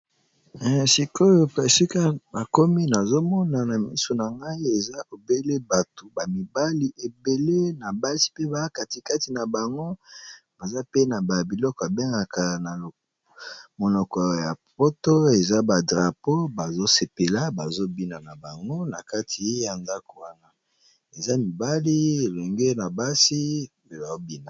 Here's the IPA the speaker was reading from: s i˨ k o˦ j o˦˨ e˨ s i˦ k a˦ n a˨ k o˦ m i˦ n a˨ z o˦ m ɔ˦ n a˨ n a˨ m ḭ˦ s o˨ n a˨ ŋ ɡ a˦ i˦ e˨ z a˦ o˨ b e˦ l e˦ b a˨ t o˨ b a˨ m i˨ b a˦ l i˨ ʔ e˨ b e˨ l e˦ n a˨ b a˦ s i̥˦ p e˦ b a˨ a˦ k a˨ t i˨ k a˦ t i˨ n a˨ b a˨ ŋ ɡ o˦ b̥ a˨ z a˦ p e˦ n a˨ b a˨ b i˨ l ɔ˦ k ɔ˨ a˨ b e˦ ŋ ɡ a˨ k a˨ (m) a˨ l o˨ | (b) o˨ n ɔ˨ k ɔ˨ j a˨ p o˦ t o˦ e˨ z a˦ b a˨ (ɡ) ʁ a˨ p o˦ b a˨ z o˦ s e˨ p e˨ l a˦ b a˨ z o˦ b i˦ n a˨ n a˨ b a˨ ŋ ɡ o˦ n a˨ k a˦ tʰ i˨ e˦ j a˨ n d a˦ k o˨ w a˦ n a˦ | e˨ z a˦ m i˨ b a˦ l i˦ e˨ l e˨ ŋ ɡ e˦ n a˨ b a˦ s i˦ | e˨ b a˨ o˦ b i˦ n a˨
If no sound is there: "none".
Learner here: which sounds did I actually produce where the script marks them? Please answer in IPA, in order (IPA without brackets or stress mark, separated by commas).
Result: n, m, d